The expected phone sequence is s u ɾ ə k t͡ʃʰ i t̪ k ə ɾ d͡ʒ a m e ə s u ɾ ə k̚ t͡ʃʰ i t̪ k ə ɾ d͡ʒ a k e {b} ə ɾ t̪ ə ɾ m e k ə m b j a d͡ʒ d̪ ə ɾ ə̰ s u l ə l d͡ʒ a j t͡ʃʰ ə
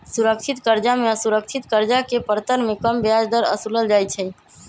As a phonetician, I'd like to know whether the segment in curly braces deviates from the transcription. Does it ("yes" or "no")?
yes